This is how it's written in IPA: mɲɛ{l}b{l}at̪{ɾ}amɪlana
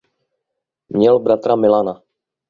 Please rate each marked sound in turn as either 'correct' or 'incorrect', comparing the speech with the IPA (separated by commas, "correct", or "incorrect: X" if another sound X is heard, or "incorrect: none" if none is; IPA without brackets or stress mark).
correct, incorrect: ɾ, correct